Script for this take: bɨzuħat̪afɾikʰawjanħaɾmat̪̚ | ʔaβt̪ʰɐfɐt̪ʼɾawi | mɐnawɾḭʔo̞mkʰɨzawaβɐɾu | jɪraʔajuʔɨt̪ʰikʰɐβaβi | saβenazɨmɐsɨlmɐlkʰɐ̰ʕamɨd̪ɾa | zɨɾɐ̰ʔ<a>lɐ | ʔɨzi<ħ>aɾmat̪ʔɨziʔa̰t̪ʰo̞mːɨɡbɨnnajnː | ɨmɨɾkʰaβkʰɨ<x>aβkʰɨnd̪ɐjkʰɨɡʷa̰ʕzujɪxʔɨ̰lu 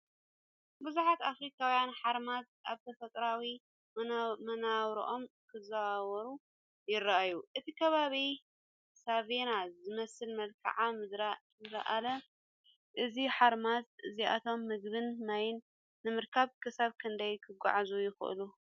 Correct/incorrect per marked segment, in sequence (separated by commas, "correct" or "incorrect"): correct, correct, incorrect